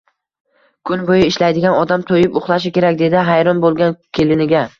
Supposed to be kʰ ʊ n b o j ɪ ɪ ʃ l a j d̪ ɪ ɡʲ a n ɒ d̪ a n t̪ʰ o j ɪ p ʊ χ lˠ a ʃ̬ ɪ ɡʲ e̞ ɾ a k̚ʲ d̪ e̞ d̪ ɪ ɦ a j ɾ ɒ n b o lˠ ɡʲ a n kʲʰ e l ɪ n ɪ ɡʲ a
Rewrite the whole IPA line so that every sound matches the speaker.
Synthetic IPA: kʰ ʊ n b o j ɪ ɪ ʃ l a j d̪ ɪ ɡʲ a n ɒ d̪ a m t̪ʰ o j ɪ p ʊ χ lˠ a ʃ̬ ɪ kʲ e̞ ɾ a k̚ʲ d̪ e̞ d̪ ɪ ɦ a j ɾ ɒ n b o lˠ ɡʲ a n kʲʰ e l ɪ n ɪ ɡʲ a